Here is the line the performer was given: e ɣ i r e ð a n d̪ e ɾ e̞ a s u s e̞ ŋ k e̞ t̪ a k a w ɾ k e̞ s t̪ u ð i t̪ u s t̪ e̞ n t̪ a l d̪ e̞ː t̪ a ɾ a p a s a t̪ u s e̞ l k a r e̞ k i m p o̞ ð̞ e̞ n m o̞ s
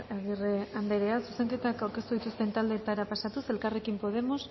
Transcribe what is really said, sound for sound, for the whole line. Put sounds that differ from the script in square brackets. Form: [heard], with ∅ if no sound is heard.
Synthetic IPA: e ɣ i r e [∅] a n d̪ e ɾ e̞ a s u s e̞ ŋ k e̞ t̪ a k a w ɾ k e̞ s t̪ u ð i t̪ u s t̪ e̞ n t̪ a l d̪ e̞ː t̪ a ɾ a p a s a t̪ u s e̞ l k a r e̞ k i m p o̞ ð̞ e̞ [∅] m o̞ s